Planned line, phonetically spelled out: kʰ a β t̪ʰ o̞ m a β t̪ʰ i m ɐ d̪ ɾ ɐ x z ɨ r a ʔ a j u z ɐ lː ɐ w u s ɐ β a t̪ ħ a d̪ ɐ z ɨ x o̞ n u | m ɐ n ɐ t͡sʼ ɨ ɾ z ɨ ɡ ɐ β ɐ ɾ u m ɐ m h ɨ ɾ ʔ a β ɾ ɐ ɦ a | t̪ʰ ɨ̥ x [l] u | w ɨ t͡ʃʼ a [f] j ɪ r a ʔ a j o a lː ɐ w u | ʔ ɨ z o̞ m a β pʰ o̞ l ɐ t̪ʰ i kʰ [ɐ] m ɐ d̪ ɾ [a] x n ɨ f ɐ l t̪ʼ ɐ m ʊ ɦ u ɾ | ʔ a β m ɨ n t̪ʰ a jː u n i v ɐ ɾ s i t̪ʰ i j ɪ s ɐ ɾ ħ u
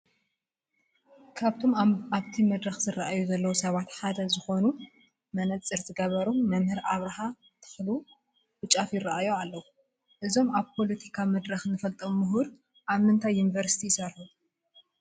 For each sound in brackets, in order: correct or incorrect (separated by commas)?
correct, correct, incorrect, incorrect